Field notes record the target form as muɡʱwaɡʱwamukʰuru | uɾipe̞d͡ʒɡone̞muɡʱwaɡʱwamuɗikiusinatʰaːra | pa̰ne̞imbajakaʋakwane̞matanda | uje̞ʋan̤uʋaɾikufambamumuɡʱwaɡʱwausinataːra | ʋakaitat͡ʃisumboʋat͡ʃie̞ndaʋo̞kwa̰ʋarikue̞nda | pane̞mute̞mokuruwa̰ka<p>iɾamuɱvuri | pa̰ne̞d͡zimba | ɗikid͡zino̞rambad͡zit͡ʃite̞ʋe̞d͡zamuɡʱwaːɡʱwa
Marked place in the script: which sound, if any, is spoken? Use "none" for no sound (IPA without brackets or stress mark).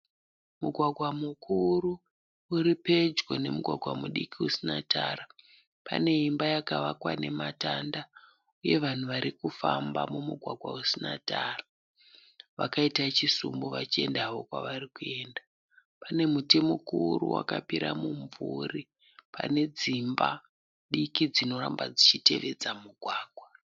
p